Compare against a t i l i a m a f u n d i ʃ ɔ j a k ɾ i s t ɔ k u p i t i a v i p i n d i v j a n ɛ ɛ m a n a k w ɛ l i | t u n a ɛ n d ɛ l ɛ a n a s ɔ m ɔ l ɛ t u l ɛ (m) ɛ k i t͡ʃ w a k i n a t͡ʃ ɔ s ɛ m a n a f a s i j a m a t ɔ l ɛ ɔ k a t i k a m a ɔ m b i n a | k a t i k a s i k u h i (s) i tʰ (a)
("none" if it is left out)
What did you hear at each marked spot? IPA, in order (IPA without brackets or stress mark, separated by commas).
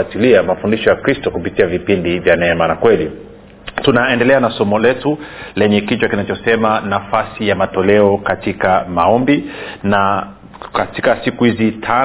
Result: ɲ, z, a